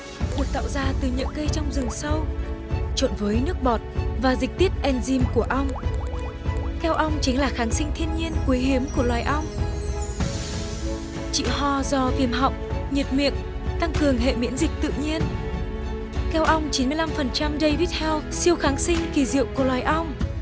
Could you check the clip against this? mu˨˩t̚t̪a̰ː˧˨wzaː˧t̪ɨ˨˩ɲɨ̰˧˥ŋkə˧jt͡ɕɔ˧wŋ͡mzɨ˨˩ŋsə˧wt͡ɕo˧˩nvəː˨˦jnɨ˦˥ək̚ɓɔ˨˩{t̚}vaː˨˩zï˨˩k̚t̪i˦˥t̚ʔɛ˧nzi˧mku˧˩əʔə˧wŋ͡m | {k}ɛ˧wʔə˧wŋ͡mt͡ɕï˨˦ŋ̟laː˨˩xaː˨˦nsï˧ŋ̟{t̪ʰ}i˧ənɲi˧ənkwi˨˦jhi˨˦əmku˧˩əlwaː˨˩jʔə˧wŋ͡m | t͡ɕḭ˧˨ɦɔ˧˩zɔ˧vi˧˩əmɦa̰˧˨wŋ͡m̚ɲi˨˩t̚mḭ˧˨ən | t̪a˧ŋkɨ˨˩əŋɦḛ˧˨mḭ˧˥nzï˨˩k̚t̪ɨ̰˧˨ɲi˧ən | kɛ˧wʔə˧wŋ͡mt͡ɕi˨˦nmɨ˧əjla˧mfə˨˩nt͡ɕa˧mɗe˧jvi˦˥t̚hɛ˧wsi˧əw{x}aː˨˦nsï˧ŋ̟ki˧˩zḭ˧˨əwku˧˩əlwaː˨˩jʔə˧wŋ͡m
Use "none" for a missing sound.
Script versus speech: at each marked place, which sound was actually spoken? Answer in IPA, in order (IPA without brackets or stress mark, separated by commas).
t̚, k, t̪ʰ, x